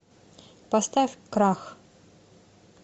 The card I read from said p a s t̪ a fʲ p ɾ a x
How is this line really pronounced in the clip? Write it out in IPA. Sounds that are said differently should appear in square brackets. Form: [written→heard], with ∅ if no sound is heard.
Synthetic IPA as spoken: p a s t̪ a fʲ [p→k] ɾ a x